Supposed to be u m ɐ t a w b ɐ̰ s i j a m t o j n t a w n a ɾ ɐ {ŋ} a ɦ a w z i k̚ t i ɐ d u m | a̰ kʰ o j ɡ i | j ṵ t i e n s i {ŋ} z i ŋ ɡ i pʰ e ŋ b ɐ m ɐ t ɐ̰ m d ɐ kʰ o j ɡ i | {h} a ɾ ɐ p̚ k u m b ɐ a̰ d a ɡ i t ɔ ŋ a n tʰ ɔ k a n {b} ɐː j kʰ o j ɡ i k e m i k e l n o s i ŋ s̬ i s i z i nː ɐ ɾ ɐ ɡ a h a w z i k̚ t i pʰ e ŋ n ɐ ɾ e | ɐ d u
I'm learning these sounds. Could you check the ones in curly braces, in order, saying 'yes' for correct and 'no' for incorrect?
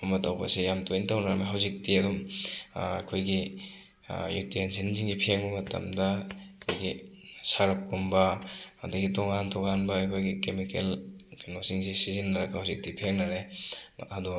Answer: no, no, no, yes

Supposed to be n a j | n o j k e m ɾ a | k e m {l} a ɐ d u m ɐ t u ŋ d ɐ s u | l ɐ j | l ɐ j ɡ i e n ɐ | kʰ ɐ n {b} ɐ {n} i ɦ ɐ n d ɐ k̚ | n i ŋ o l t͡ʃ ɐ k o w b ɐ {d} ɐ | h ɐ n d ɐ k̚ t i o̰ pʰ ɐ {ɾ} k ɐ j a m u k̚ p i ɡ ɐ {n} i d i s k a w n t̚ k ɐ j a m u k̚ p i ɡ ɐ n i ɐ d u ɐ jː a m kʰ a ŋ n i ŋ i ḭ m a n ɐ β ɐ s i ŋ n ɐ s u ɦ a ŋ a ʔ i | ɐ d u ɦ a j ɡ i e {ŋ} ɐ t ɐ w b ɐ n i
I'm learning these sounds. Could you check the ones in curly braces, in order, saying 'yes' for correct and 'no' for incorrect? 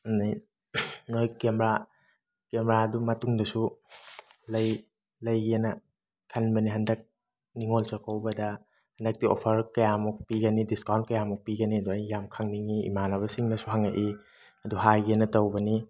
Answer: no, yes, yes, yes, yes, yes, no

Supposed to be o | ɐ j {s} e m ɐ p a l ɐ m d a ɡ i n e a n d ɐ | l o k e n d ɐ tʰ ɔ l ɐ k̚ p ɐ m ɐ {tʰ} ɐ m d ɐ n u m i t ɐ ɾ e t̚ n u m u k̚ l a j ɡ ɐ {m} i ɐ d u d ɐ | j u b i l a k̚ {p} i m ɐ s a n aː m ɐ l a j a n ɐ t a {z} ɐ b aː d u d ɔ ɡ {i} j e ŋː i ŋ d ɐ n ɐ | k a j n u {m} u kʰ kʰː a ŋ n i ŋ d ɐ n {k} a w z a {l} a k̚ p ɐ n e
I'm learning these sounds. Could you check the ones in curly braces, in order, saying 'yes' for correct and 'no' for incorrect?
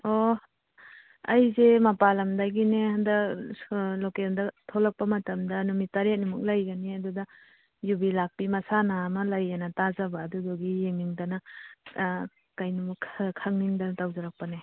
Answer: no, no, no, yes, yes, yes, yes, no, no

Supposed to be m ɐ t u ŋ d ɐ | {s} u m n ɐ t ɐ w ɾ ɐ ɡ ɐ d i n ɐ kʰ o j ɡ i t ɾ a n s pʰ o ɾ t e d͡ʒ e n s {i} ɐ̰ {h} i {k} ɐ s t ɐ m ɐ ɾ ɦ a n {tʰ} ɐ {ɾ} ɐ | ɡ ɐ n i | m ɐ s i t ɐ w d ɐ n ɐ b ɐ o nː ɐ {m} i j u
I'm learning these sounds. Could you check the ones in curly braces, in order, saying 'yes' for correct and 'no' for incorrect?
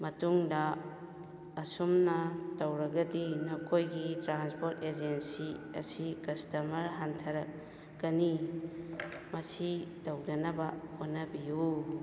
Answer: yes, yes, no, yes, yes, yes, no

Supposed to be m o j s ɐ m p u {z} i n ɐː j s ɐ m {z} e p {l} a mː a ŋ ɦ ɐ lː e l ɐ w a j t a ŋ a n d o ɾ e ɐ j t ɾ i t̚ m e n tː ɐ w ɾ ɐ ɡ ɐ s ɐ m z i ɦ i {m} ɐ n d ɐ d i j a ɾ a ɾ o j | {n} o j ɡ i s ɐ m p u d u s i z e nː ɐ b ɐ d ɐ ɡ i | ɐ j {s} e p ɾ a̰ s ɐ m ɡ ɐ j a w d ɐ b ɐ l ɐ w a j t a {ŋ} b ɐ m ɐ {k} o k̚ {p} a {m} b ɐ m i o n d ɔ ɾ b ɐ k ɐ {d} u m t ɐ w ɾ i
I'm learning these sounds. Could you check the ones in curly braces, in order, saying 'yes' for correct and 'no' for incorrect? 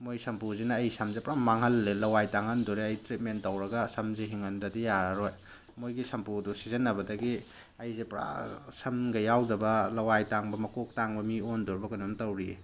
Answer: yes, yes, no, no, no, no, yes, yes, no, no, no

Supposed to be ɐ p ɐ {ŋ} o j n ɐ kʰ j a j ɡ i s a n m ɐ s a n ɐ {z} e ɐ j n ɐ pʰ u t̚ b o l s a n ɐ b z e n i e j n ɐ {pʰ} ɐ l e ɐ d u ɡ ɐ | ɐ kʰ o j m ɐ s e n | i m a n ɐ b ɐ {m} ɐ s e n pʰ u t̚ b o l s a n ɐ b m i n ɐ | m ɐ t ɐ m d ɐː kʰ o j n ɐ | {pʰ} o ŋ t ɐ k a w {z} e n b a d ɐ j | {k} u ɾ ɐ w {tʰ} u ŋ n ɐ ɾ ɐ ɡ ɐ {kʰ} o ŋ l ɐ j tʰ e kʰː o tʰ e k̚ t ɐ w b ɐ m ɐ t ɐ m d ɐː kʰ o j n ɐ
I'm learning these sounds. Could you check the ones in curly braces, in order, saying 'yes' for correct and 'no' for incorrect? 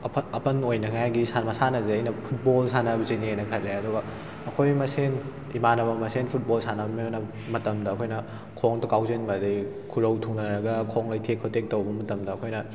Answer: no, yes, no, yes, no, yes, no, yes, yes

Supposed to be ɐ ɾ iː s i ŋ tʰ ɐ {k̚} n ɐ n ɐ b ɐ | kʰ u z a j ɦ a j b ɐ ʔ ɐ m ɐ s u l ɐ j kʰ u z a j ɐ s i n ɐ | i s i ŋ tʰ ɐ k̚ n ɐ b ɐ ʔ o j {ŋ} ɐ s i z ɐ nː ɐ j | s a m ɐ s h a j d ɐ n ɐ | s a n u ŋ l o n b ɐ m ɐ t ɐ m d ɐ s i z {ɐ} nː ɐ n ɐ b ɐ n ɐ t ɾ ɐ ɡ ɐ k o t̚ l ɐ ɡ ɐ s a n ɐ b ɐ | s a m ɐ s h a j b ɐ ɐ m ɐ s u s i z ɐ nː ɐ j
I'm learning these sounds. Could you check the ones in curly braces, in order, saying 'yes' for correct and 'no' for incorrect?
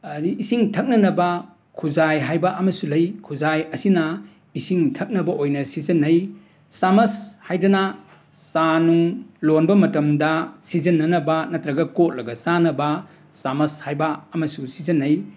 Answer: yes, no, yes

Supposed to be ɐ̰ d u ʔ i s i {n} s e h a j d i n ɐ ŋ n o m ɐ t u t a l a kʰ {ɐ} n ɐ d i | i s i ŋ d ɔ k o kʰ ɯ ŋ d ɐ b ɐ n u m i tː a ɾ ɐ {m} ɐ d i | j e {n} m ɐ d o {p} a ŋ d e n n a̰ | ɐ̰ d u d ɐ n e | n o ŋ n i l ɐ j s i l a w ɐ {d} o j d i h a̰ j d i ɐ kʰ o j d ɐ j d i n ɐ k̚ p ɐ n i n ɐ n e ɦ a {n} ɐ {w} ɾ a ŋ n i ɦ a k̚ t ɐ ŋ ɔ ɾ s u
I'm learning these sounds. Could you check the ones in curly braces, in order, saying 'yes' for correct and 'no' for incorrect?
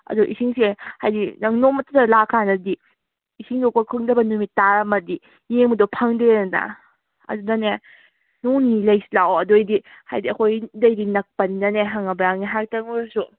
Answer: no, no, yes, no, no, yes, no, no

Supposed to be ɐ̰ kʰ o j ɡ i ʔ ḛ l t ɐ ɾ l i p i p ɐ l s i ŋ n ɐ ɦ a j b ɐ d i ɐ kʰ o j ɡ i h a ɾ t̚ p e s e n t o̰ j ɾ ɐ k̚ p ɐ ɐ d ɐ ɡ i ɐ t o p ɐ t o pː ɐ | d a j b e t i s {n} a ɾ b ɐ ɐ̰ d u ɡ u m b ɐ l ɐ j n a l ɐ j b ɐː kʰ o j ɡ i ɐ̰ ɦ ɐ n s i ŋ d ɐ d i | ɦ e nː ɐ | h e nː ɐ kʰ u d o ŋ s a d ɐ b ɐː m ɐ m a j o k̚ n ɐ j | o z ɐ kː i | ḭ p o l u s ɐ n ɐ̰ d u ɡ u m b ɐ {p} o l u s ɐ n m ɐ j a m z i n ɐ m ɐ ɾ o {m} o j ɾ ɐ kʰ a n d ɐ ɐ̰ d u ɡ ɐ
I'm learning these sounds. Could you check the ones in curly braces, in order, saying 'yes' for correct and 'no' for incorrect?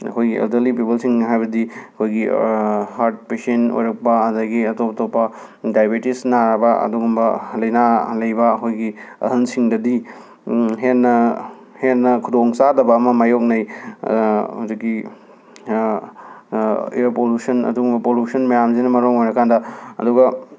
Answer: yes, yes, no

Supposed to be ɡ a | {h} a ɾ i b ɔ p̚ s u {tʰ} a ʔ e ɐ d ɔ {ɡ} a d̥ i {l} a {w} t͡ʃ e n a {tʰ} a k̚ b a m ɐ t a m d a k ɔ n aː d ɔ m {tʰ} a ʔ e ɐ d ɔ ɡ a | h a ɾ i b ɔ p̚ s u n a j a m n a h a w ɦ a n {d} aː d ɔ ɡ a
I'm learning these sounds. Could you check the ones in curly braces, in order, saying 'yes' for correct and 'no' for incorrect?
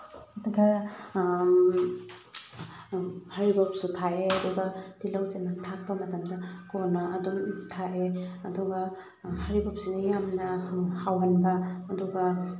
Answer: yes, yes, yes, yes, yes, yes, yes, no

